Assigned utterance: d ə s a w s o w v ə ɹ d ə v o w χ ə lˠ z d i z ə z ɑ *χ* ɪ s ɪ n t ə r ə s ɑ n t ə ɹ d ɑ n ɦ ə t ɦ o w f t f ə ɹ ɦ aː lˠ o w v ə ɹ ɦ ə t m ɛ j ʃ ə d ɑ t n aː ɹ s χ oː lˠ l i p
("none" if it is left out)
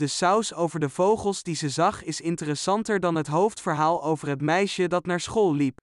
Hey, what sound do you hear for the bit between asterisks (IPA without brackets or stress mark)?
χ